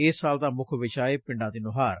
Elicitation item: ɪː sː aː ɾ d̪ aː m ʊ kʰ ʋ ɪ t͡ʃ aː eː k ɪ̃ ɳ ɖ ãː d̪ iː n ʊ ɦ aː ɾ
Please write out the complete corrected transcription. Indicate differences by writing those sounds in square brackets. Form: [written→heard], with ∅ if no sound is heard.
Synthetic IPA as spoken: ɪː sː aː [ɾ→l] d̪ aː m ʊ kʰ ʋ ɪ t͡ʃ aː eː [k→p] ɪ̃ ɳ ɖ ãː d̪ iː n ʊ ɦ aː ɾ

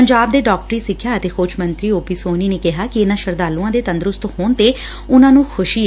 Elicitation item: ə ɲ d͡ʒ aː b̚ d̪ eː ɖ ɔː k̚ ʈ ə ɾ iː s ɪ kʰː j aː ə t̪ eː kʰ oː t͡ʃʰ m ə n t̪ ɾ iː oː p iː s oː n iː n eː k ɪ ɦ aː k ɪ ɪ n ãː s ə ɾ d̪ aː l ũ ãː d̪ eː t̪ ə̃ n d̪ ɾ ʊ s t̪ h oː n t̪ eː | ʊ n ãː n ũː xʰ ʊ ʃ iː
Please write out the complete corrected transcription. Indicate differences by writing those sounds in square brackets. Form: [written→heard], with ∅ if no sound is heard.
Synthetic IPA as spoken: ə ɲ d͡ʒ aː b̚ d̪ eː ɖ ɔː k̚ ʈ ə ɾ iː s ɪ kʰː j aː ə t̪ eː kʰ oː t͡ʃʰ m ə n t̪ ɾ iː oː p iː s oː n iː n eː k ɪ ɦ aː k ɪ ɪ n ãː [s→ʃ] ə ɾ d̪ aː l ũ ãː d̪ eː t̪ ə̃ n d̪ ɾ ʊ s t̪ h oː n t̪ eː | ʊ n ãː n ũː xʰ ʊ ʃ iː

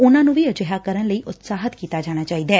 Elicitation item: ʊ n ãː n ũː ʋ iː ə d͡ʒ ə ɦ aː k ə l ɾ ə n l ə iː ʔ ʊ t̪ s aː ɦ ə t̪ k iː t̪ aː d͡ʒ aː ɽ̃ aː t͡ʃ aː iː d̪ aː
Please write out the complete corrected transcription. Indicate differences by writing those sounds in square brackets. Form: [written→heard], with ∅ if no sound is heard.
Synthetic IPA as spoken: ʊ n ãː n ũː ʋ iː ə d͡ʒ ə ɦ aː k ə [l→∅] ɾ ə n l ə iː ʔ ʊ t̪ s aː ɦ ə t̪ k iː t̪ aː d͡ʒ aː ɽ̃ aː t͡ʃ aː iː d̪ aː

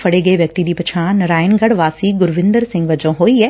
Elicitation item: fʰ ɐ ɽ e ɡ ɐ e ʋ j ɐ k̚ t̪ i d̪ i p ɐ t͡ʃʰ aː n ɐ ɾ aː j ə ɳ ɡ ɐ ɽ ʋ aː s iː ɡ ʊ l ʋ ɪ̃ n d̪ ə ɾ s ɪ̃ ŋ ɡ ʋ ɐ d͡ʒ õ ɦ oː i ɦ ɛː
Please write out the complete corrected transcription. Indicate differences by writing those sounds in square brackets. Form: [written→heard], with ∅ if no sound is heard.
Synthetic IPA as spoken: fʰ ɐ ɽ e ɡ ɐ e ʋ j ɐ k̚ t̪ i d̪ i p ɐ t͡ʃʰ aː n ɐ ɾ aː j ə [ɳ→n] ɡ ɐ ɽ ʋ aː s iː ɡ ʊ [l→ɾ] ʋ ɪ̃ n d̪ ə ɾ s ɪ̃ ŋ ɡ ʋ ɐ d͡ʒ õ ɦ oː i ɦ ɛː

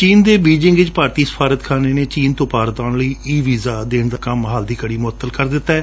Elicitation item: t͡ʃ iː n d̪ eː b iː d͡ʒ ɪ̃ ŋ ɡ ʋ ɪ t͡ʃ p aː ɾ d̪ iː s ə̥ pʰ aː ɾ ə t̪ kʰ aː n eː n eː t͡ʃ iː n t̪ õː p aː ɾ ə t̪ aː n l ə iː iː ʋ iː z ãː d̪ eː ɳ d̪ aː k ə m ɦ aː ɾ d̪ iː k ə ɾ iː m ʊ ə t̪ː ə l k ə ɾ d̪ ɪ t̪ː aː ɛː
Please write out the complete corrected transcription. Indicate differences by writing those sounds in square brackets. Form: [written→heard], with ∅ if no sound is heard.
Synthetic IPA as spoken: t͡ʃ iː n d̪ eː b iː d͡ʒ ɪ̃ ŋ ɡ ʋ ɪ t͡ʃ p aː ɾ [d̪→t̪] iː s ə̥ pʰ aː ɾ ə t̪ kʰ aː n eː n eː t͡ʃ iː n t̪ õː p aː ɾ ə t̪ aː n l ə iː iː ʋ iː z [ãː→aː] d̪ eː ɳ d̪ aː k ə m ɦ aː [ɾ→l] d̪ iː k ə [ɾ→ɽ] iː m ʊ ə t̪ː ə l k ə ɾ d̪ ɪ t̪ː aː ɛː

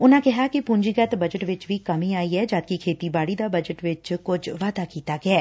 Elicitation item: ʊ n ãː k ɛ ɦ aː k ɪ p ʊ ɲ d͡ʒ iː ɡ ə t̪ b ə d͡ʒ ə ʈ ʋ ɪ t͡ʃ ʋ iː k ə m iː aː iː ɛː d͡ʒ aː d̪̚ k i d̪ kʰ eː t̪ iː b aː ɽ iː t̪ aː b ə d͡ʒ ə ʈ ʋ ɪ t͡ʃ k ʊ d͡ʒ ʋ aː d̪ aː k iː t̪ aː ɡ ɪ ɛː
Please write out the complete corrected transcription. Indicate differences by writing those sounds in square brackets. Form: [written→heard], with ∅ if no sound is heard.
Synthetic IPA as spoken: ʊ n ãː k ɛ ɦ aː k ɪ p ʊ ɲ d͡ʒ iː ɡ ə t̪ b ə d͡ʒ ə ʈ ʋ ɪ t͡ʃ ʋ iː k ə m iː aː iː ɛː d͡ʒ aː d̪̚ k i [d̪→∅] kʰ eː t̪ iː b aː ɽ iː [t̪→d̪] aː b ə d͡ʒ ə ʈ ʋ ɪ t͡ʃ k ʊ d͡ʒ ʋ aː d̪ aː k iː t̪ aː ɡ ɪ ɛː

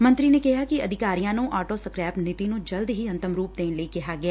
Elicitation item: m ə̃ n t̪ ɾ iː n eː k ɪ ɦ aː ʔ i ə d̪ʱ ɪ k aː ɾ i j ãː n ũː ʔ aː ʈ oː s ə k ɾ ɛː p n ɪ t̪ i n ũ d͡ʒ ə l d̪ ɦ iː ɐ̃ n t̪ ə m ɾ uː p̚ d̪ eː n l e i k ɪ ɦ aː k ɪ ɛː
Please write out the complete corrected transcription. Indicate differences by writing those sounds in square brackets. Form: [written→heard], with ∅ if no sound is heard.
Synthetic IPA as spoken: m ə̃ n t̪ ɾ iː n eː k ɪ ɦ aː [ʔ→k] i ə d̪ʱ ɪ k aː ɾ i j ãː n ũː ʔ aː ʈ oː s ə k ɾ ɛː p n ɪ t̪ i n ũ d͡ʒ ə l d̪ ɦ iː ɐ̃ n t̪ ə m ɾ uː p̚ d̪ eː n l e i k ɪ ɦ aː [k→ɡ] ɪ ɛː

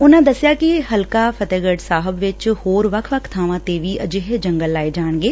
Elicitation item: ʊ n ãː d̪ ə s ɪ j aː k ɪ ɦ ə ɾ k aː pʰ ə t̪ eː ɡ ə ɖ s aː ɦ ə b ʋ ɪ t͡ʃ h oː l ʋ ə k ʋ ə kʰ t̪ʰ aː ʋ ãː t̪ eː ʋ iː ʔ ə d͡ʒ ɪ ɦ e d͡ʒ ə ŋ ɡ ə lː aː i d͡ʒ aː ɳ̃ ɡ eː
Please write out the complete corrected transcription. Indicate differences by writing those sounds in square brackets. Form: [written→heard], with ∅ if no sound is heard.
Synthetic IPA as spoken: ʊ n ãː d̪ ə s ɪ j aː k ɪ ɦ ə [ɾ→l] k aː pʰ ə t̪ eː ɡ ə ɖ s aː ɦ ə b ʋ ɪ t͡ʃ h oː [l→ɾ] ʋ ə [k→kʰ] ʋ ə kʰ t̪ʰ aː ʋ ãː t̪ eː ʋ iː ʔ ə d͡ʒ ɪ ɦ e d͡ʒ ə ŋ ɡ ə lː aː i d͡ʒ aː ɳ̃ ɡ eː

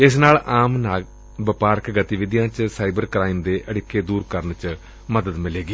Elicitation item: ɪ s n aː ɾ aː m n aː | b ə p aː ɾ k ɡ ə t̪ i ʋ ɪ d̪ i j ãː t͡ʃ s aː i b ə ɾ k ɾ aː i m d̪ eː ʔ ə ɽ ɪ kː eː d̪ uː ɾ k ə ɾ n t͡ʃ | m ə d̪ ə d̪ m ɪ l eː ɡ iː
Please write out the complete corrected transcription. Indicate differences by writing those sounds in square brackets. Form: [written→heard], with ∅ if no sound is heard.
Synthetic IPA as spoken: ɪ s n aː [ɾ→l] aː m n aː | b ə p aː ɾ k ɡ ə t̪ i ʋ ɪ d̪ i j ãː t͡ʃ s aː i b ə ɾ k ɾ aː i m d̪ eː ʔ ə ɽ ɪ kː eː d̪ uː ɾ k ə ɾ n t͡ʃ | m ə d̪ ə d̪ m ɪ l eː ɡ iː

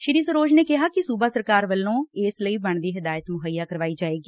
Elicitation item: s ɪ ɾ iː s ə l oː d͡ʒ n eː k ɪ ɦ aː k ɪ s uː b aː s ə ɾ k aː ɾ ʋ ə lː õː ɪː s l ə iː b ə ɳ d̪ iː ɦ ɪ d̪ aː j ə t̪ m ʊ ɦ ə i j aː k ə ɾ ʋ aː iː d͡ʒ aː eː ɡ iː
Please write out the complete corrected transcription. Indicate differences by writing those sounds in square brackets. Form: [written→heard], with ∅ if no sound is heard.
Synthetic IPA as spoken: [s→ʃ] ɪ ɾ iː s ə [l→ɾ] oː d͡ʒ n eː k ɪ ɦ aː k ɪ s uː b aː s ə ɾ k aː ɾ ʋ ə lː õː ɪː s l ə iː b ə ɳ d̪ iː ɦ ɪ d̪ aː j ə t̪ m ʊ ɦ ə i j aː k ə ɾ ʋ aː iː d͡ʒ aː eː ɡ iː

